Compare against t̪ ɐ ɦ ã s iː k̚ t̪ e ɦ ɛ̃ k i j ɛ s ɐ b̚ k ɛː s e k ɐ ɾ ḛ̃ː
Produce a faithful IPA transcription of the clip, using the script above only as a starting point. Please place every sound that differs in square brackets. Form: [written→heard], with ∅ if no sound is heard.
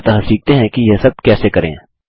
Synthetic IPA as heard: t̪ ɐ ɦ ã s iː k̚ t̪ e ɦ ɛ̃ k i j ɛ s ɐ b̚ k ɛː s e k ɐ ɾ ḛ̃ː